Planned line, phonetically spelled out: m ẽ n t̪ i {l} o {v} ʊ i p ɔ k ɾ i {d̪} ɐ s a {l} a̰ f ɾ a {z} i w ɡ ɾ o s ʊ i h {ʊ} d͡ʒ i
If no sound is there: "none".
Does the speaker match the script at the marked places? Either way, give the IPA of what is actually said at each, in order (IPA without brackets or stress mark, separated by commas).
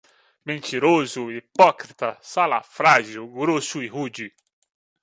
ɾ, z, t̪, l, ʒ, u